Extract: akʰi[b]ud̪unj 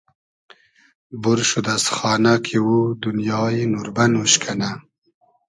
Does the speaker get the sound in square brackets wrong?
yes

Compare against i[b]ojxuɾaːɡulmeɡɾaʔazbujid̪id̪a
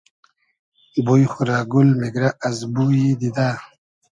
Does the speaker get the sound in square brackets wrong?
no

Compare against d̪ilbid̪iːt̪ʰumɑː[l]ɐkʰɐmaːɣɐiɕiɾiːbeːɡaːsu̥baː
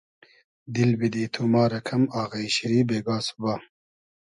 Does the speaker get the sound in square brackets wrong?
yes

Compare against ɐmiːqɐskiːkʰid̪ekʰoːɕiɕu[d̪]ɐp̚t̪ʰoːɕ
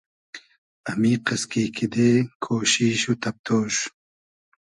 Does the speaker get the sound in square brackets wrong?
yes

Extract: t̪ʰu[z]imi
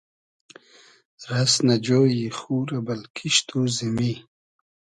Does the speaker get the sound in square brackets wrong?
no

